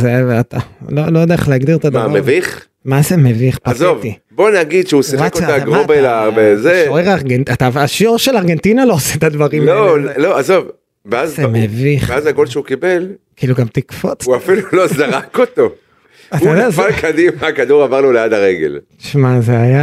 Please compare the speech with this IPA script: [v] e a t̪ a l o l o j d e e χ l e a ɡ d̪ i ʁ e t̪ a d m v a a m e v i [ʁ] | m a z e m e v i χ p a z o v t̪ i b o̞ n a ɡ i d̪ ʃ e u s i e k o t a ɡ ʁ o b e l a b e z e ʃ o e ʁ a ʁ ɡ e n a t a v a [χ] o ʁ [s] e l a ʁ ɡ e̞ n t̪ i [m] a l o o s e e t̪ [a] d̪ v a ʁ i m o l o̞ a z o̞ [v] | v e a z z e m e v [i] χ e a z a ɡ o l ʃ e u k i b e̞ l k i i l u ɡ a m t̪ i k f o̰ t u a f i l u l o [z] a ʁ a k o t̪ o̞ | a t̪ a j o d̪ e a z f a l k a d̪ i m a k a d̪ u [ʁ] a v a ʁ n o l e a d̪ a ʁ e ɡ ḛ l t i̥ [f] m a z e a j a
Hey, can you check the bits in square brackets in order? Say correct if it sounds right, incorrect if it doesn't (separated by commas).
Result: incorrect, incorrect, incorrect, incorrect, incorrect, correct, correct, correct, correct, correct, incorrect